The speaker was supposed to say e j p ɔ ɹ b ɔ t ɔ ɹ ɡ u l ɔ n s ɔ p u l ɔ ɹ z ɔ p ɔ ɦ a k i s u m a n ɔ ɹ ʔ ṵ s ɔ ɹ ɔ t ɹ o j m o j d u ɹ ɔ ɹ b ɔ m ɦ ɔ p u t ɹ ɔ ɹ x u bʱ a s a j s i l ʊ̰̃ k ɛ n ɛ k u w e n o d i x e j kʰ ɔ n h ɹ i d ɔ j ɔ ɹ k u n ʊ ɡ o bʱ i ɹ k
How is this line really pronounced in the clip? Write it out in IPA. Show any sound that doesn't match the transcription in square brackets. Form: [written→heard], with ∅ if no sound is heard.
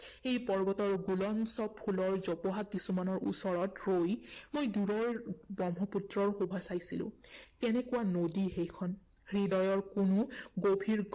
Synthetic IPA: e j p ɔ ɹ b ɔ t ɔ ɹ ɡ u l ɔ n s ɔ [p→pʰ] u l ɔ ɹ z ɔ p ɔ ɦ a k i s u m a n ɔ ɹ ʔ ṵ s ɔ ɹ ɔ t ɹ o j m o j d u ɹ ɔ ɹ b ɔ m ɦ ɔ p u t ɹ ɔ ɹ x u bʱ a s a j s i l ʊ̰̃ k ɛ n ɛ k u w [e→a] n o d i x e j kʰ ɔ n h ɹ i d ɔ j ɔ ɹ k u n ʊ ɡ o bʱ i ɹ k